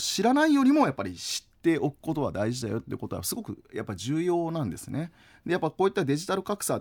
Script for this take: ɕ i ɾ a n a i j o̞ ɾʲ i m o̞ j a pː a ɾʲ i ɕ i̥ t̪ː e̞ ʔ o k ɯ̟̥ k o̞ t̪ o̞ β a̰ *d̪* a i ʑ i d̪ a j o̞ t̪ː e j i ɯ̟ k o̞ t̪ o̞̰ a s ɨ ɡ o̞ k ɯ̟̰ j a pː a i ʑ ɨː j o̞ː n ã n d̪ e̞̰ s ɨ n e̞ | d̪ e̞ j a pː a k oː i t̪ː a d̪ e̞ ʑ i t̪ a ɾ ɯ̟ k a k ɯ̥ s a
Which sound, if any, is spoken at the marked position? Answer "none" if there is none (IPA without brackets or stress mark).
d̪